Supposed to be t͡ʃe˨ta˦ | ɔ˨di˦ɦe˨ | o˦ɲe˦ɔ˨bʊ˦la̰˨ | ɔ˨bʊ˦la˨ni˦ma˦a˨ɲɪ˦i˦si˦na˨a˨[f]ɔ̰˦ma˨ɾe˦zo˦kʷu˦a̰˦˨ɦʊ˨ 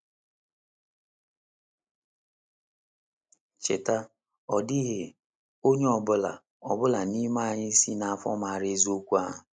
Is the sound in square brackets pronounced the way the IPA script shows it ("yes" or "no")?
yes